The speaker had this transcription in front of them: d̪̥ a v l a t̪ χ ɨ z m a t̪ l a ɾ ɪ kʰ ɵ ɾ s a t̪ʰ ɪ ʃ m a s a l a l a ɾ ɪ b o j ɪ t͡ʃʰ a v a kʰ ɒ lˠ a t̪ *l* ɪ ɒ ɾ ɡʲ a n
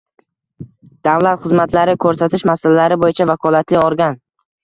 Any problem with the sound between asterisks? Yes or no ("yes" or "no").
no